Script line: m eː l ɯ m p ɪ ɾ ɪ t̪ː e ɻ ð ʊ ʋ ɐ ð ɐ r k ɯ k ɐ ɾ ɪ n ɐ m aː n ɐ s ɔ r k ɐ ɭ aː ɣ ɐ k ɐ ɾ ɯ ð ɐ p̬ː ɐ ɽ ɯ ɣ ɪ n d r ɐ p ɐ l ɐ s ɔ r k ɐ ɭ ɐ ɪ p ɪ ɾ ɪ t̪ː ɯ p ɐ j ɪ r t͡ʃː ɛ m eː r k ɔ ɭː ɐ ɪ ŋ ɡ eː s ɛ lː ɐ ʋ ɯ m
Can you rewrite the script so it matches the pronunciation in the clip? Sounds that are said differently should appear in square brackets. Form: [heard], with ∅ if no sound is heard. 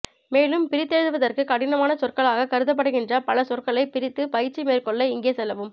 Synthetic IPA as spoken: m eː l ɯ m p ɪ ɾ ɪ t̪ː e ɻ ð [ɯ] ʋ ɐ ð ɐ r k ɯ k ɐ [ɽ] ɪ n ɐ m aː n ɐ s ɔ r k ɐ ɭ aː ɣ ɐ k ɐ ɾ ɯ ð ɐ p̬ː ɐ ɽ ɯ ɣ ɪ n d r ɐ p ɐ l ɐ s ɔ r k ɐ ɭ ɐ ɪ p ɪ ɾ ɪ t̪ː ɯ p ɐ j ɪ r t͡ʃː [i] m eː r k ɔ ɭː ɐ ɪ ŋ ɡ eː s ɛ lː ɐ ʋ ɯ m